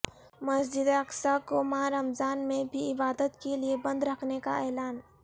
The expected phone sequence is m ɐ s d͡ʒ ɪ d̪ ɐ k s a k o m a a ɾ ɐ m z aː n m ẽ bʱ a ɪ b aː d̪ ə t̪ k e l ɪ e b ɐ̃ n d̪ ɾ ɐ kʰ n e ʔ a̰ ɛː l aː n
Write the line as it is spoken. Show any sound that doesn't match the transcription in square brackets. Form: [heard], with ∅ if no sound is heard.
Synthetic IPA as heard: m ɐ s d͡ʒ ɪ d̪ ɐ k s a k o m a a ɾ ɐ m z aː n m ẽ bʱ [i] ɪ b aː d̪ ə t̪ k e l [i] e b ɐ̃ n d̪ ɾ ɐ kʰ n e [k] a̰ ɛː l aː n